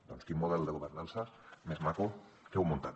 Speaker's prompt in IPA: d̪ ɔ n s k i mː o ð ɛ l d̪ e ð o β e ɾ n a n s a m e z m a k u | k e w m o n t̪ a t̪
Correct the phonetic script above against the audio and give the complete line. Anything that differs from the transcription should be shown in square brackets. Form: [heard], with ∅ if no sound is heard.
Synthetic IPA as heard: d̪ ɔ n s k i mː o ð ɛ l d̪ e [ɣ] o β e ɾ n a n s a m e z m a k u | k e w m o n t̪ a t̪